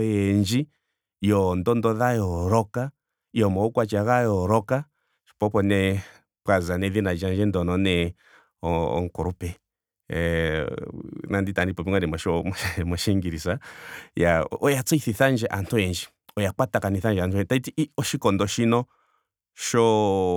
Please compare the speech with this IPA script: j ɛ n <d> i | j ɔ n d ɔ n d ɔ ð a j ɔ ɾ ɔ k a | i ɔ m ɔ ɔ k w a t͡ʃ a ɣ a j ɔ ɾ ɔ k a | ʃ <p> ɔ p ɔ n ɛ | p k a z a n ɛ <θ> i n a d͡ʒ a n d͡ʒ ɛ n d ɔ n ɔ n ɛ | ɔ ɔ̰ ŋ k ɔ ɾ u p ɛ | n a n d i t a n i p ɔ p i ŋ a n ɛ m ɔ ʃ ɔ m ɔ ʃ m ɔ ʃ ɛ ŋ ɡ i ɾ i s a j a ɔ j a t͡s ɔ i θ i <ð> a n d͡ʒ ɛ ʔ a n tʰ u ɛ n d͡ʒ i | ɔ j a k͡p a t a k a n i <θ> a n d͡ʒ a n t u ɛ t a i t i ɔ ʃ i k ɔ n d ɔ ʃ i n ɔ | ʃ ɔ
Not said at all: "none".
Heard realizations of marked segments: d͡ʒ, p, ð, θ, θ

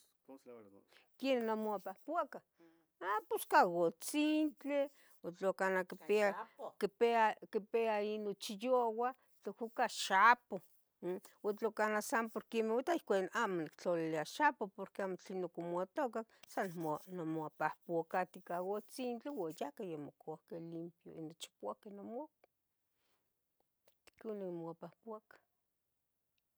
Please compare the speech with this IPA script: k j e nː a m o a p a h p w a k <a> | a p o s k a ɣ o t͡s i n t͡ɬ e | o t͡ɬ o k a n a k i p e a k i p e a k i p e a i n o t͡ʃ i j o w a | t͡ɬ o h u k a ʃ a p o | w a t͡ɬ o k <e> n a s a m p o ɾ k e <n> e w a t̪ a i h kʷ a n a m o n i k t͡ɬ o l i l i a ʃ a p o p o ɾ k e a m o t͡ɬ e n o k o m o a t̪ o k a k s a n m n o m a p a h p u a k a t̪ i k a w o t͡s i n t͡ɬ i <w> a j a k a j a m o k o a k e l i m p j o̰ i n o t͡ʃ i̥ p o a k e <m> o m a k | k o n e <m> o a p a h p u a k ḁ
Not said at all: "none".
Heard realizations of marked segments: a, a, m, w, n, m

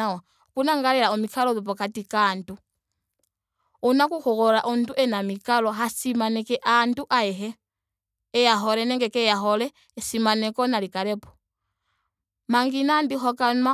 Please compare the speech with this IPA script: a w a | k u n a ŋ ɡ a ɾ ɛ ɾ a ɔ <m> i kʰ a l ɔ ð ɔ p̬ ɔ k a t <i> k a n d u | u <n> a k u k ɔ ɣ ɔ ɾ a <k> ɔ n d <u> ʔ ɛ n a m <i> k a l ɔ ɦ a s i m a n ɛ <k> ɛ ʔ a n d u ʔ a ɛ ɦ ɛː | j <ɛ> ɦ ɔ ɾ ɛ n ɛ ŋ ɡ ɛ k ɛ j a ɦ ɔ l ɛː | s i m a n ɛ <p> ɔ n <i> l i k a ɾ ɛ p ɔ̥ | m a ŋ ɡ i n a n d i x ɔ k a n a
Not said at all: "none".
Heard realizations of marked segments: m, i, n, ʔ, u, i, k, a, k, a

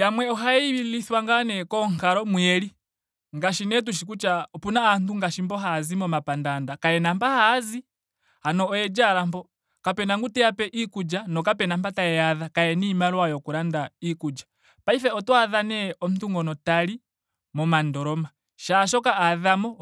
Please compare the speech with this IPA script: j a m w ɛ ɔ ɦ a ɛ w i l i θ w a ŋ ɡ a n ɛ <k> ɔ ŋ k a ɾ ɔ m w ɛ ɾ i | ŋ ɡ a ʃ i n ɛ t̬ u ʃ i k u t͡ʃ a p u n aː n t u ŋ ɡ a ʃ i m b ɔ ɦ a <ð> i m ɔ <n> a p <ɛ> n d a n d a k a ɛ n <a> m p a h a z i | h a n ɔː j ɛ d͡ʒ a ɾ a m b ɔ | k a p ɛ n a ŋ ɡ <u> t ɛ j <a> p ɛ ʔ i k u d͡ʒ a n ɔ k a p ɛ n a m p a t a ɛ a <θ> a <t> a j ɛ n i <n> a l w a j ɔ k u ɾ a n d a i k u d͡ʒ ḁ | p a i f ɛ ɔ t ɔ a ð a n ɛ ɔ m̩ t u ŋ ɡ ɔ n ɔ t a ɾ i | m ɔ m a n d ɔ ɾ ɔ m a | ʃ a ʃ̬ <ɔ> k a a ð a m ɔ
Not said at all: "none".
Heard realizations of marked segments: k, z, m, a, a, u, a, ð, k, m, ɔ

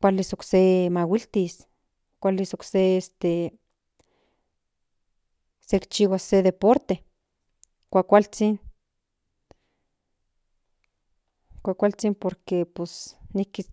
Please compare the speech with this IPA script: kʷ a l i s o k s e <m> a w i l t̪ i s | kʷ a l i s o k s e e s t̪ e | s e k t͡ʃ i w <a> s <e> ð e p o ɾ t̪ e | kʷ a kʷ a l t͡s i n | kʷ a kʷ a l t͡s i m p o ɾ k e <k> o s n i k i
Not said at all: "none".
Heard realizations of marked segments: m, a, e, p

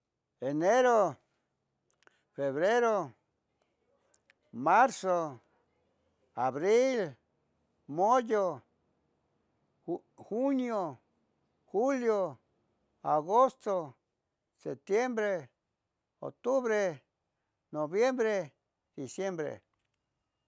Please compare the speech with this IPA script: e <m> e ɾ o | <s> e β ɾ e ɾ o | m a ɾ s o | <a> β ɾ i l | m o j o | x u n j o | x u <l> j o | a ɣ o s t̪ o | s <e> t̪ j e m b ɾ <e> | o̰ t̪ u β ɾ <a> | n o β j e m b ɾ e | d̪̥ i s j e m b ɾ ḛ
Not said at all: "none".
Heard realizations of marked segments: n, f, a, l, e, e, e

